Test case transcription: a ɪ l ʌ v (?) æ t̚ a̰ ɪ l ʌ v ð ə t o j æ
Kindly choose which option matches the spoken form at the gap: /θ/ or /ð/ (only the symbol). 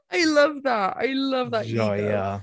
ð